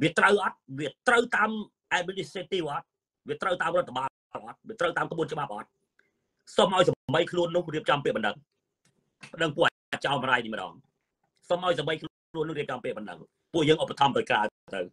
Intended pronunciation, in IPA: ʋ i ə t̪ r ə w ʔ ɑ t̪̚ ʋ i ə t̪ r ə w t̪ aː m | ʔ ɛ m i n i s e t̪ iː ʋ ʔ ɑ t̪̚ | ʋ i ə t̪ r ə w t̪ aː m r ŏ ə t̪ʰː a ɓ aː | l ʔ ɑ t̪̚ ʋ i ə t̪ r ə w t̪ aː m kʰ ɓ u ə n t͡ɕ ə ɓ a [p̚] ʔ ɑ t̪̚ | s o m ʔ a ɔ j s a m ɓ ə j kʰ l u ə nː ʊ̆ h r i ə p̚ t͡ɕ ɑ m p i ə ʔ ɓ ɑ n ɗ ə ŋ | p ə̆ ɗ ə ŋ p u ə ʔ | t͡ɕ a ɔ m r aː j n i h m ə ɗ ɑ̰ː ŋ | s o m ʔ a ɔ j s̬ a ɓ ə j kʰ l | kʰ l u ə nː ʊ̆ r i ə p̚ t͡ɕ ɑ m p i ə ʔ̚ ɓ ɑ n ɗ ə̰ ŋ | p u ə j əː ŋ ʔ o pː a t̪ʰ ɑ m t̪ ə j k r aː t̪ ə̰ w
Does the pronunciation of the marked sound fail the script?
no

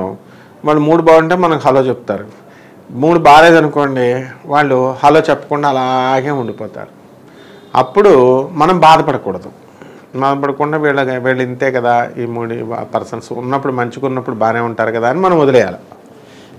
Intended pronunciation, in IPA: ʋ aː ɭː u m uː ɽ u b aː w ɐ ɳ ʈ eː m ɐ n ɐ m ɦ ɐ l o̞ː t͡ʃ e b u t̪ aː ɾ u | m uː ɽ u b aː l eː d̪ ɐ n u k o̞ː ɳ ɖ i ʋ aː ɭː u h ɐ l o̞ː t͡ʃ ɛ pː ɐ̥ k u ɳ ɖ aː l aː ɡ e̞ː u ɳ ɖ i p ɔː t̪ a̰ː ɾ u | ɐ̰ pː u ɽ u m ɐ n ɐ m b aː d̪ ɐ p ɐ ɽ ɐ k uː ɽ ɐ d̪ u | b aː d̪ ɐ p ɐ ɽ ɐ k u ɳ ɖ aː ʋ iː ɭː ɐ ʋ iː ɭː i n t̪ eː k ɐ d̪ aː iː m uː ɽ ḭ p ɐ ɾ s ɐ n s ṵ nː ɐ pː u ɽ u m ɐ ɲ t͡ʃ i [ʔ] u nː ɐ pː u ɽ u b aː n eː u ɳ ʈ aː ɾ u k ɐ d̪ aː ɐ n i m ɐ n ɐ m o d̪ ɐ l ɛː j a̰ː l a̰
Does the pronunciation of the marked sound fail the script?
yes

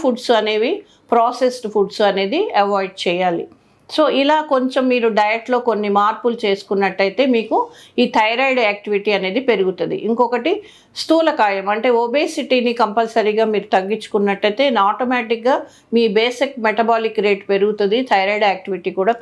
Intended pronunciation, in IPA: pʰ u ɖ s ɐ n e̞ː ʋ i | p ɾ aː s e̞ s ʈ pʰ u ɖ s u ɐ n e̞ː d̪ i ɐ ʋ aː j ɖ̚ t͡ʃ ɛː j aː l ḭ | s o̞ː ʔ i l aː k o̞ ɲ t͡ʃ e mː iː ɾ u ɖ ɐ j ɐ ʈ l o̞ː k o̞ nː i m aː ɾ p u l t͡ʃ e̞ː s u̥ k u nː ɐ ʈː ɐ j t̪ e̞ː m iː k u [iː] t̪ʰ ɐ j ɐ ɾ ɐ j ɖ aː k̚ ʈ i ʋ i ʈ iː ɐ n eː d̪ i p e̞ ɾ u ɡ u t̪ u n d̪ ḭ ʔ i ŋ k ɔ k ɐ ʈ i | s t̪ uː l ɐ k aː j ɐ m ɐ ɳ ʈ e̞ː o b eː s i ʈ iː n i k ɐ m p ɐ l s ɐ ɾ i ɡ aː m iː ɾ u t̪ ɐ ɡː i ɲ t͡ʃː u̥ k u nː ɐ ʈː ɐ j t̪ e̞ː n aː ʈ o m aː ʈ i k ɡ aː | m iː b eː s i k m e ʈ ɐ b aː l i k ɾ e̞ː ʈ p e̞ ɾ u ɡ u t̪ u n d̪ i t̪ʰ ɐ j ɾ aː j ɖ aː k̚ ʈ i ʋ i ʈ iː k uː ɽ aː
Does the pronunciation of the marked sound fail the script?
no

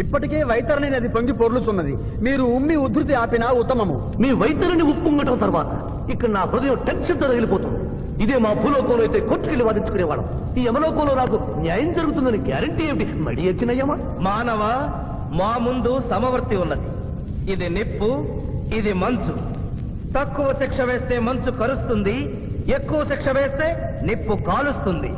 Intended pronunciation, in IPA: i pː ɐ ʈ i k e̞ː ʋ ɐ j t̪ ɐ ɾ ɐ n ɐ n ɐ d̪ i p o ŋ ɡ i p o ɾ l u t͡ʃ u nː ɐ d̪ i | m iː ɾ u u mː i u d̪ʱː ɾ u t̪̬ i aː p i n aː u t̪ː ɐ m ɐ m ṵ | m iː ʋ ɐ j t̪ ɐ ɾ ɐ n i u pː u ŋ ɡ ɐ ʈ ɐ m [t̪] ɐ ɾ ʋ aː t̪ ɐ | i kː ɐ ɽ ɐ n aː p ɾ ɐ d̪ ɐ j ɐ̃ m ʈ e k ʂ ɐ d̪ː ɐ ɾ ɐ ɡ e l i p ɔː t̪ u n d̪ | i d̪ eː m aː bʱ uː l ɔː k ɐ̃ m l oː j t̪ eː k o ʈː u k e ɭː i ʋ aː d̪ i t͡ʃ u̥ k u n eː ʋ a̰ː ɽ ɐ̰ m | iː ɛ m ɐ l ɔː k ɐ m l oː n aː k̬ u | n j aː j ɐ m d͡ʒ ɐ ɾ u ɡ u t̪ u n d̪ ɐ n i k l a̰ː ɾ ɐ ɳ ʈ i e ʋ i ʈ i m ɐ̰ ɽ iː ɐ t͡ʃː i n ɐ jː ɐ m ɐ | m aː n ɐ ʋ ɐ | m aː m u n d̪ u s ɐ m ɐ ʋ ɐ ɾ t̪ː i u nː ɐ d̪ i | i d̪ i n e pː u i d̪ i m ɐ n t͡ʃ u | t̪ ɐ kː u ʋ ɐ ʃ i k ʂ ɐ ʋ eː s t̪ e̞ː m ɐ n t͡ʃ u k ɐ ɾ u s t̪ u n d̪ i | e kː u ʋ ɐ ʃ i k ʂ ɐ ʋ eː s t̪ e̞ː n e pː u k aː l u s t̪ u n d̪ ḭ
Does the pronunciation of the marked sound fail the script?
no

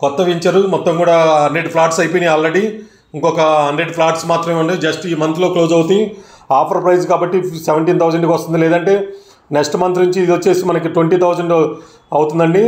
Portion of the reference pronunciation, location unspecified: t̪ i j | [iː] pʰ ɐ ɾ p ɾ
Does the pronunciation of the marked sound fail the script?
yes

